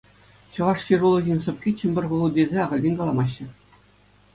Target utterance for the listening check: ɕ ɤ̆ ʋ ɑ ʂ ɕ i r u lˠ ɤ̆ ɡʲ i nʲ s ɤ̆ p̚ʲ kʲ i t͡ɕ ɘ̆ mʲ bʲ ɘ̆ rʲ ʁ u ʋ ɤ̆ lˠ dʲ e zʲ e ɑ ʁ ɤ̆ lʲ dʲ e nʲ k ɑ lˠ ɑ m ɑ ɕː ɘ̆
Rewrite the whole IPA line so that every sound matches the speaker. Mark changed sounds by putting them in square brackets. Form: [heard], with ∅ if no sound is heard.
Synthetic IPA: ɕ ɤ̆ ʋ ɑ ʂ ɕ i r u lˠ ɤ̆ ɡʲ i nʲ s ɤ̆ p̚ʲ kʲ i t͡ɕ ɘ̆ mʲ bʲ ɘ̆ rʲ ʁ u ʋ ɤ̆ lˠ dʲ e zʲ e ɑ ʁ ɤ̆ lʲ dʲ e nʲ k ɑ lˠ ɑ m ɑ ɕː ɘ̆